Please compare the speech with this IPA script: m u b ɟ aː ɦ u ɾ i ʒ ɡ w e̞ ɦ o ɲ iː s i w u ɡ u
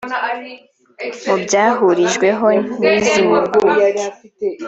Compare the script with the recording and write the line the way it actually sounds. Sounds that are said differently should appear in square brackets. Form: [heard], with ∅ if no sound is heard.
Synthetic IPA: m u b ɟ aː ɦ u ɾ i ʒ ɡ w e̞ ɦ o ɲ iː [z] i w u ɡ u